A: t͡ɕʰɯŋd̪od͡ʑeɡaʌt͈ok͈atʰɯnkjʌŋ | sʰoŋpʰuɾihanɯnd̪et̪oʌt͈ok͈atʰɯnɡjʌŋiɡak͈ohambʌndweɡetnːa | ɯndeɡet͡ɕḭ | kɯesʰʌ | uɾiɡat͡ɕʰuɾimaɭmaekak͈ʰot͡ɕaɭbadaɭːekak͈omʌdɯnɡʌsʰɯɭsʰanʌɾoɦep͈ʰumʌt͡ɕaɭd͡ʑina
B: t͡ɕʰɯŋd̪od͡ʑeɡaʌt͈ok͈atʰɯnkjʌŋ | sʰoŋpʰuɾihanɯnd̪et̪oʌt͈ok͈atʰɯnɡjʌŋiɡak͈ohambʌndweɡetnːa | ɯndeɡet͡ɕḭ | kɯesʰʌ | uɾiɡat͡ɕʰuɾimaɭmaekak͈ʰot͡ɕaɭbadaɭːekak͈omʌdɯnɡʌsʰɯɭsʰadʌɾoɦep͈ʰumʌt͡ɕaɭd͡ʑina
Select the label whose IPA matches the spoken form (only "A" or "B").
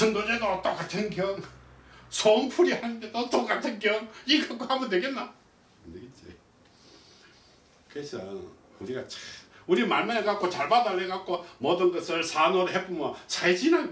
A